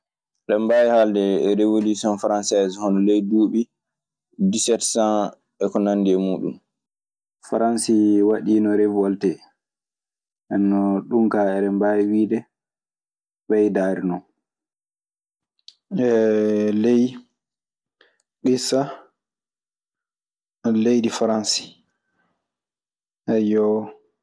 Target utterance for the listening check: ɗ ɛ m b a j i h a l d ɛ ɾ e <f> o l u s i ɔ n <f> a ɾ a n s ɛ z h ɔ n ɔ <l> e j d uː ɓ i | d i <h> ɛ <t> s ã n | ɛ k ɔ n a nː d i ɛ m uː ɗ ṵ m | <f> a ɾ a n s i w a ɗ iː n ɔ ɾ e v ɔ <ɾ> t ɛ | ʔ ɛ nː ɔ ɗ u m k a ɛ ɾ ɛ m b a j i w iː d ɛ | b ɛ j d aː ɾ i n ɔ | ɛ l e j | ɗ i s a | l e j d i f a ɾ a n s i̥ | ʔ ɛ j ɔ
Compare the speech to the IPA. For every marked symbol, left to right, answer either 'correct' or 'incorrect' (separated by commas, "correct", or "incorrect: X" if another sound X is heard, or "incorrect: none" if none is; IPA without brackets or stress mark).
incorrect: v, correct, correct, incorrect: s, correct, correct, incorrect: l